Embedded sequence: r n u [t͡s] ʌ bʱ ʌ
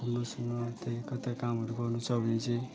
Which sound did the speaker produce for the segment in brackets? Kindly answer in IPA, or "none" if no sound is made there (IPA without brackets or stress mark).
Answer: t͡sʰ